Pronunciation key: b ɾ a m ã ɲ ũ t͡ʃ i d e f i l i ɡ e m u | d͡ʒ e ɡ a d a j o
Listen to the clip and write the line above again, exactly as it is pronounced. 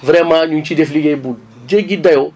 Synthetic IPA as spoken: v ɾ ɛ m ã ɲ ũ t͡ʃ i d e f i l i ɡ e b u | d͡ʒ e ɡ i d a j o